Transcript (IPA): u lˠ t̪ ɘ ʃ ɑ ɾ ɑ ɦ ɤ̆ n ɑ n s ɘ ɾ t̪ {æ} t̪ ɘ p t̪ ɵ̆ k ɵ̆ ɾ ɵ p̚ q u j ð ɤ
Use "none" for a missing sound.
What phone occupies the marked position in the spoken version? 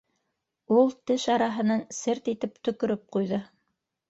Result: i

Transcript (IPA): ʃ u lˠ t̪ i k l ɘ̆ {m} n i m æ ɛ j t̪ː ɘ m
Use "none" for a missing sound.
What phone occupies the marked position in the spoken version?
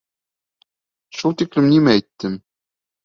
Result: m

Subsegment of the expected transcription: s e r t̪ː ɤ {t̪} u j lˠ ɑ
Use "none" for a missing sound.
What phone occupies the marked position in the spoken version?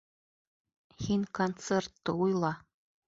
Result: none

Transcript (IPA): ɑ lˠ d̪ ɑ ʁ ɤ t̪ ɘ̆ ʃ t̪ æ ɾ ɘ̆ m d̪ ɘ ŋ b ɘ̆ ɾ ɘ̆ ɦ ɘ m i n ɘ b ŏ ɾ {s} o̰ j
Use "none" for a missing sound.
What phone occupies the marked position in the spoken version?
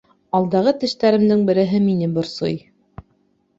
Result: s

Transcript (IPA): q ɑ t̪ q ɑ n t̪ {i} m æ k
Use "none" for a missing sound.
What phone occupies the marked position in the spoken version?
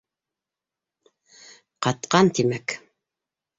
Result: i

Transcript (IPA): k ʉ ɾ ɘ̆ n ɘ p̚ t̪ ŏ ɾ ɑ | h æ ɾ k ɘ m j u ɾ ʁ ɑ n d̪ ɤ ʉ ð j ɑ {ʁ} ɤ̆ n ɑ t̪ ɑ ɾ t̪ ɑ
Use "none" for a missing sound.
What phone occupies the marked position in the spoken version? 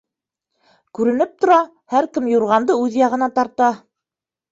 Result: ʁ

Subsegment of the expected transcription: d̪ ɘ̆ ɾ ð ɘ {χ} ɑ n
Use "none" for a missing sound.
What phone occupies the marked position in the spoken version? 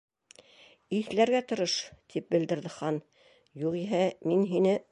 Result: χ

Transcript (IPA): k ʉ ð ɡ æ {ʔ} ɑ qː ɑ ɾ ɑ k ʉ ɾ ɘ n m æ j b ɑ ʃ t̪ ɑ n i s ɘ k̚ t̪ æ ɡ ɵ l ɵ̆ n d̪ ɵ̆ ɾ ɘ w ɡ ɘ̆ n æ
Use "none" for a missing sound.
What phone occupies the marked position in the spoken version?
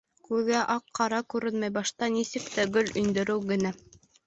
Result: ʔ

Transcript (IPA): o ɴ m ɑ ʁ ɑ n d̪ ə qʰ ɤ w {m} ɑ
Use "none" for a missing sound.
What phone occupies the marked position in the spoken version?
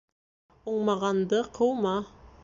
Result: m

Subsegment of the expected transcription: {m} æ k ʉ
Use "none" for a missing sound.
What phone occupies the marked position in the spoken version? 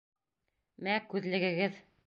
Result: m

